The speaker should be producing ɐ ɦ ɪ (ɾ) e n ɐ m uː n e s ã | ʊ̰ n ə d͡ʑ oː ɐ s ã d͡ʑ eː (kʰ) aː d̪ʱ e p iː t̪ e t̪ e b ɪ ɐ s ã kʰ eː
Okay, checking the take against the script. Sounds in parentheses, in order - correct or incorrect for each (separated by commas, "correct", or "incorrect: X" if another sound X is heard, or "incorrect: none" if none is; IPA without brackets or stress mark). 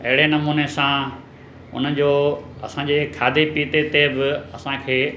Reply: incorrect: ɽ, correct